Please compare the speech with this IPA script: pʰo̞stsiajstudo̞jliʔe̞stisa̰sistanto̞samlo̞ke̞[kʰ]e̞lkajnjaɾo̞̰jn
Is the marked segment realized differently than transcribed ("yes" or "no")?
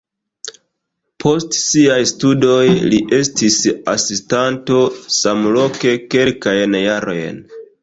yes